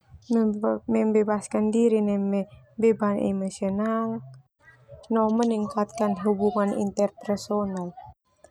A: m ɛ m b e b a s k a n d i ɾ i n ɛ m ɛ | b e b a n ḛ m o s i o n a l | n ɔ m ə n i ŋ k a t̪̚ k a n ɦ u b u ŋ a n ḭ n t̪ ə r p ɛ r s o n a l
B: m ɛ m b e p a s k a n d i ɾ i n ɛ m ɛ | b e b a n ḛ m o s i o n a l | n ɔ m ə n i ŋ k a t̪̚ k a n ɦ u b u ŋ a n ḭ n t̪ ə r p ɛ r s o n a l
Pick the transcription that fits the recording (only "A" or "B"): A